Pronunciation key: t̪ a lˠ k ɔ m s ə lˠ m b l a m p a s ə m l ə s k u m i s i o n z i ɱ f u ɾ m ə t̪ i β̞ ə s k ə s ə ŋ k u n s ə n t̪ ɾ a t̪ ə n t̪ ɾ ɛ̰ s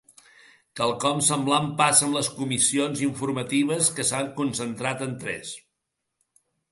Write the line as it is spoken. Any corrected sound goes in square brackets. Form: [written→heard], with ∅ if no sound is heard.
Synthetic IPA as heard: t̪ a lˠ k ɔ m s ə [lˠ→∅] m b l a m p a s ə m l ə s k u m i s i o n z i ɱ f u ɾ m ə t̪ i β̞ ə s k ə s [ə→a] ŋ k u n s ə n t̪ ɾ a t̪ ə n t̪ ɾ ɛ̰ s